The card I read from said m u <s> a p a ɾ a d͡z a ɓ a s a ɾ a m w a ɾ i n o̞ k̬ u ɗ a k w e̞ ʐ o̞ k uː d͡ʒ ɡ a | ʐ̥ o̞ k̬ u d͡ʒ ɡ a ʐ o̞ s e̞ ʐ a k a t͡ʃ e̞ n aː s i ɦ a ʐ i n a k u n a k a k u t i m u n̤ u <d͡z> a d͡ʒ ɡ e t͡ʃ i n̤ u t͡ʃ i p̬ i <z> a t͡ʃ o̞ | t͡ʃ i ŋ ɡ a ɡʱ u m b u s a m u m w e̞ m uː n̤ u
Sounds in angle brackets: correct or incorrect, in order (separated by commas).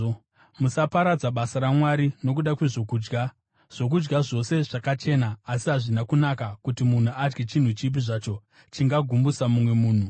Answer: correct, incorrect, incorrect